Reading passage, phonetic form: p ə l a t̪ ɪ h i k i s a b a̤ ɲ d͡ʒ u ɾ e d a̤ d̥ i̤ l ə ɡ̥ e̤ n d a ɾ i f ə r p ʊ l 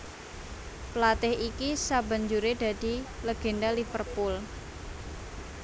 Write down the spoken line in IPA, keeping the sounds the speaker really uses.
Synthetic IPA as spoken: p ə l a t̪ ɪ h i k i s a b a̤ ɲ d͡ʒ u ɾ e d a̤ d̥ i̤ l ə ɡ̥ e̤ n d a l i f ə r p ʊ l